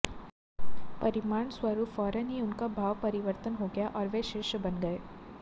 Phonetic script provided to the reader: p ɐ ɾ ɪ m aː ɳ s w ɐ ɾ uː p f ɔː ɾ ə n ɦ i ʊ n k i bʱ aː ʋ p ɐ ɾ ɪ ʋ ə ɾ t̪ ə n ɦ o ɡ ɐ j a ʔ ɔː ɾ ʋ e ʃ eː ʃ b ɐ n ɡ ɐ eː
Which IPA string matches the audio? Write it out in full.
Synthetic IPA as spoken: p ɐ ɾ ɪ m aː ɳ s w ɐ ɾ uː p f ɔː ɾ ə n ɦ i ʊ n k a bʱ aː ʋ p ɐ ɾ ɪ ʋ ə ɾ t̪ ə n ɦ o ɡ ɐ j a ʔ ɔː ɾ ʋ e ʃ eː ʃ b ɐ n ɡ ɐ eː